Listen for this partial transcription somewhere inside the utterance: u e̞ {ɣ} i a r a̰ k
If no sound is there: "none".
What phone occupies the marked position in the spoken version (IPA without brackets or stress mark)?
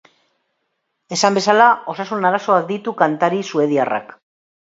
ð